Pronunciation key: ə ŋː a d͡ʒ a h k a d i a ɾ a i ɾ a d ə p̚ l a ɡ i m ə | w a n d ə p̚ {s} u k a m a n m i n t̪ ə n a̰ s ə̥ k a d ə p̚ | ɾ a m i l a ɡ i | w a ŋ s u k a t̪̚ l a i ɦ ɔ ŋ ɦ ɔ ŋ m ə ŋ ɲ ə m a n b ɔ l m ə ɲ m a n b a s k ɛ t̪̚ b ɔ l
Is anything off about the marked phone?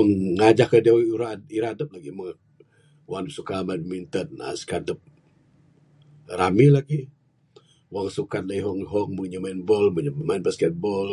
no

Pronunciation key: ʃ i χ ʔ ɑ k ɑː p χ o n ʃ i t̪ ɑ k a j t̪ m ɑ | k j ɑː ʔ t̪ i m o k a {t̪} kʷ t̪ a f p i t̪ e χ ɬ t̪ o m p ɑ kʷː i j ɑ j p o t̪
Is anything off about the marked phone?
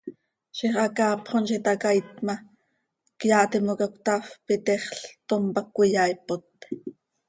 yes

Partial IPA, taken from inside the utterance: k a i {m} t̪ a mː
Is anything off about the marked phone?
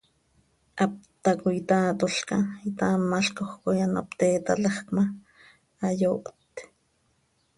yes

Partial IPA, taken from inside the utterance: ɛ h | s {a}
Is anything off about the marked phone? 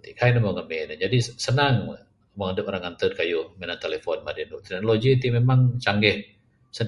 yes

